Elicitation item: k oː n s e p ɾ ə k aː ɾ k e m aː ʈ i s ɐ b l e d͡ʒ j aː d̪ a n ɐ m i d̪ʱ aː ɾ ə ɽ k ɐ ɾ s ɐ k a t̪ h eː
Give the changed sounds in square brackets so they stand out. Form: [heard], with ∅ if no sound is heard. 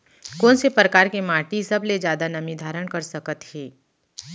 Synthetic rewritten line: k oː n s e p ɾ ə k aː ɾ k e m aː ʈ i s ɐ b l e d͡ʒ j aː d̪ a n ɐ m i d̪ʱ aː ɾ ə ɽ k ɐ ɾ s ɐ k [ə] t̪ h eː